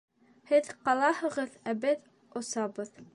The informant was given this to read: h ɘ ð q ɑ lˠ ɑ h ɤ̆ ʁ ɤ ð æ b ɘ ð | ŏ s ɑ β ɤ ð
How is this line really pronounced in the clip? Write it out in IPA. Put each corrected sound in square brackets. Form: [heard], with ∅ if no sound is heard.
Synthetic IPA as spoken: h ɘ ð q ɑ lˠ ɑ h ɤ̆ ʁ ɤ ð æ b ɘ ð | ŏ s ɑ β ɤ ð